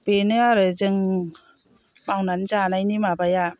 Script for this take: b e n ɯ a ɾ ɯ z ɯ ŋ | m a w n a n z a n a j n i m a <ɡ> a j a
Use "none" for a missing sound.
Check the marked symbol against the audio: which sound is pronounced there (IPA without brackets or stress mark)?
b